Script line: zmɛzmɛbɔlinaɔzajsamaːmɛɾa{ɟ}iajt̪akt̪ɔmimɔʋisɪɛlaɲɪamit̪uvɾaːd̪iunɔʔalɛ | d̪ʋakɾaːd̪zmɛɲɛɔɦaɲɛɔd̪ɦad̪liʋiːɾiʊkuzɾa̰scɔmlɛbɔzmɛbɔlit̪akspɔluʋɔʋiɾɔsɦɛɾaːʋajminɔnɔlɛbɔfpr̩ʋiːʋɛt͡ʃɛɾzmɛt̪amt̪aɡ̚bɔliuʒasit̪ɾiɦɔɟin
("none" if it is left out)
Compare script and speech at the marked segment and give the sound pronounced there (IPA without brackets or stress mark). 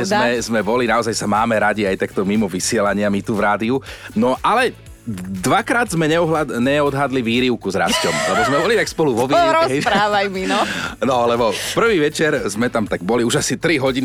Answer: ɟ